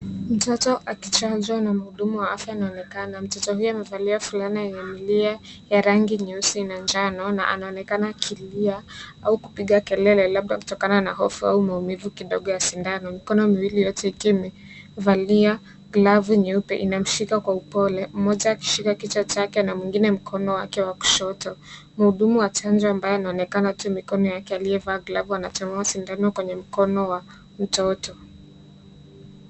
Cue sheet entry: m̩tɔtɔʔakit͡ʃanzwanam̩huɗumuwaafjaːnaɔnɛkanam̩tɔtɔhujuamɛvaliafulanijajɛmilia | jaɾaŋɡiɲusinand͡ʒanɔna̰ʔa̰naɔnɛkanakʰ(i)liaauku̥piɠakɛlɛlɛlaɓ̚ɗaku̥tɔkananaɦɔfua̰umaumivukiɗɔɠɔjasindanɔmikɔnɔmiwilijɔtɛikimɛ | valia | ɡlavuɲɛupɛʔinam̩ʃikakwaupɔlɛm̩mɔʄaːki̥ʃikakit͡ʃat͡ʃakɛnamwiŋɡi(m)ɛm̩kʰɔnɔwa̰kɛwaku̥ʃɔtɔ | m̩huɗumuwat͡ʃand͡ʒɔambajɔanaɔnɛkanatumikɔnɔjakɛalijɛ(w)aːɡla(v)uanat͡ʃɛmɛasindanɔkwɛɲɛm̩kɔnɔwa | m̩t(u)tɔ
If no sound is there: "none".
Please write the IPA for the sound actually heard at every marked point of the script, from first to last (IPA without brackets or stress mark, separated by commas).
i, n, v, v, ɔ